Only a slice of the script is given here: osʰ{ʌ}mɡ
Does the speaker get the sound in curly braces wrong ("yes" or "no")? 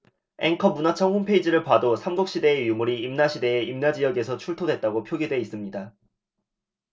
yes